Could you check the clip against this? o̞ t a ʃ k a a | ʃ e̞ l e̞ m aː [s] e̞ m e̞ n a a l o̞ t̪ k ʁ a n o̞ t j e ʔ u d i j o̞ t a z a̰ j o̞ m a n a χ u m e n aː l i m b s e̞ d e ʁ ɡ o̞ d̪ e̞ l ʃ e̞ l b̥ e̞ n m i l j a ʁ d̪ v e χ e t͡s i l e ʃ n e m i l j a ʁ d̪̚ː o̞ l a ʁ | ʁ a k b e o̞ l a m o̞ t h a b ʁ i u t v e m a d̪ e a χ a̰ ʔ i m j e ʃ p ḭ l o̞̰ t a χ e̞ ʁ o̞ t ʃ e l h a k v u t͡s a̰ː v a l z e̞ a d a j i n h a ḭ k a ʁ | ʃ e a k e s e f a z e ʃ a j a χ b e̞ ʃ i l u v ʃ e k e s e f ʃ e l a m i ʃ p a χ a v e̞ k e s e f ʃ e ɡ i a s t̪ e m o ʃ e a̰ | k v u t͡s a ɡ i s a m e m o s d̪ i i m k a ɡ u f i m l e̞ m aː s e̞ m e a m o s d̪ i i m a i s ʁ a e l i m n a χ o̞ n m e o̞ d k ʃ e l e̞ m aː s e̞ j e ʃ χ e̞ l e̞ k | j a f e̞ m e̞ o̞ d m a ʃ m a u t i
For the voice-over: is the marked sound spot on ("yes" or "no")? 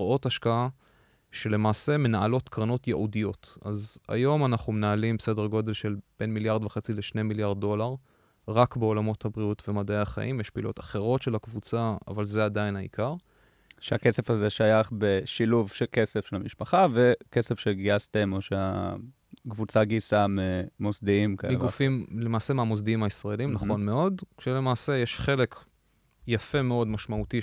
yes